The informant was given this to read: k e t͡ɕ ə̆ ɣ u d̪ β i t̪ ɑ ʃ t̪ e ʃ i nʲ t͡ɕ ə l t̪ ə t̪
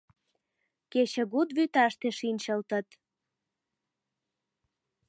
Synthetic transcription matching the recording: k e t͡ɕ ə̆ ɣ u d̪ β y t̪ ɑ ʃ t̪ e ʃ i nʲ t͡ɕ ə l t̪ ə t̪